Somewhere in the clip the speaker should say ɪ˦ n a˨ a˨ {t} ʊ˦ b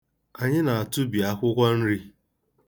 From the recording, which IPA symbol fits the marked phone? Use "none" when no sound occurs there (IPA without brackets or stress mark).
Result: t